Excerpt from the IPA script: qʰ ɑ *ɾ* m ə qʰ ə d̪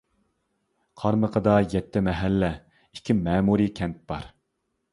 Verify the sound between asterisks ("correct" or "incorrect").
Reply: correct